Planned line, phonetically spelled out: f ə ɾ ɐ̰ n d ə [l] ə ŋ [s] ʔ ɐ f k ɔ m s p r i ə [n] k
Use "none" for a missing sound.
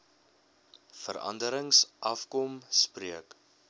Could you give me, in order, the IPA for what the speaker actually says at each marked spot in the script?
ɾ, s, none

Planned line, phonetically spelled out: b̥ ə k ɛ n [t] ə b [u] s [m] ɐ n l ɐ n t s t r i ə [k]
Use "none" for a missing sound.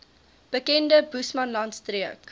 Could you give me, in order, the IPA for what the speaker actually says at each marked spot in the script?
d, u, m, k

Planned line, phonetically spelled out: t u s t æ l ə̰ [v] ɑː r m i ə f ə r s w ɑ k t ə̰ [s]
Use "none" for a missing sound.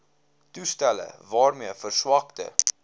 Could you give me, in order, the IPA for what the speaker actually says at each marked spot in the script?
v, none

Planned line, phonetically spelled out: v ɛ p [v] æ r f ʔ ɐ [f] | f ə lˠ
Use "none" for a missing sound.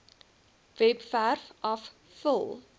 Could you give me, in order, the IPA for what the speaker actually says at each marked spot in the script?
f, f

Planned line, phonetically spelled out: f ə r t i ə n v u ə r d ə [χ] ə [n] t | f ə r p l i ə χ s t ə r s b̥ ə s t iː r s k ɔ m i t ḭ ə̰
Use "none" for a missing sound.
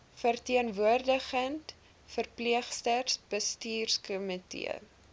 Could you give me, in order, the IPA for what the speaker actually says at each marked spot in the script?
χ, n

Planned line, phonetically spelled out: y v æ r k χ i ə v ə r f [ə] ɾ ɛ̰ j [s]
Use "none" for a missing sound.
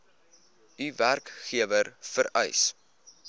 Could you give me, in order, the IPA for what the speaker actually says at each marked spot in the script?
ə, s

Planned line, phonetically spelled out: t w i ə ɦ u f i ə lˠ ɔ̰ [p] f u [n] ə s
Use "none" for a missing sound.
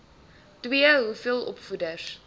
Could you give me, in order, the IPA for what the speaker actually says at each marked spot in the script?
p, d

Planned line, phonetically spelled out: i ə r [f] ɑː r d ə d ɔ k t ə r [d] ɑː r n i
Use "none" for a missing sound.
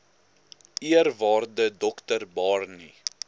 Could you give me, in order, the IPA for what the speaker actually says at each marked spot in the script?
v, b

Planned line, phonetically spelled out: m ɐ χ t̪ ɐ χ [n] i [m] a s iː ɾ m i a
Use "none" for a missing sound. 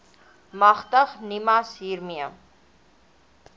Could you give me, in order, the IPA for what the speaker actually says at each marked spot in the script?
n, m

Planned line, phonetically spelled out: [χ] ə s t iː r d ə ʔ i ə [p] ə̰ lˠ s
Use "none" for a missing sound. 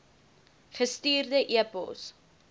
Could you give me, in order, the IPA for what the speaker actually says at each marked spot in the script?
χ, p

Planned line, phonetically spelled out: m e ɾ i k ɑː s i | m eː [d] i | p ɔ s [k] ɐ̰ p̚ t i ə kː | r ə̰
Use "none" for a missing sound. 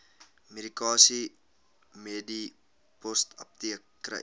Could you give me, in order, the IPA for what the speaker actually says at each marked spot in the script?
d, t

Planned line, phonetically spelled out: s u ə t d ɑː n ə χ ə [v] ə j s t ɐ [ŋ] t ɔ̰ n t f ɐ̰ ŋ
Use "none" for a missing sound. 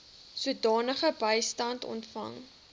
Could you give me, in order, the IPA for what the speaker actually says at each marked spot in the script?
b, n

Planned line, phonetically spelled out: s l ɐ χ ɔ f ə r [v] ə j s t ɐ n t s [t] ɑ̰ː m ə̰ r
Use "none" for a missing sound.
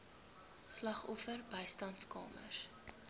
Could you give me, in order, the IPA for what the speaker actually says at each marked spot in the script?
b, k

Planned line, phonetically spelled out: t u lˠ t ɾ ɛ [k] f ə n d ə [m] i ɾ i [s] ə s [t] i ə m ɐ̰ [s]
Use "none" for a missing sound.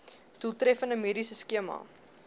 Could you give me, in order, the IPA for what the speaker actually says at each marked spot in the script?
none, m, s, k, none

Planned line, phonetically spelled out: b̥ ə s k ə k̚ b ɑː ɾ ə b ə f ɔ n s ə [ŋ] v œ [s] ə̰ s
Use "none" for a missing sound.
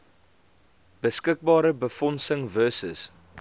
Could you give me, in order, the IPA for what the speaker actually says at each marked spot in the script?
ŋ, s

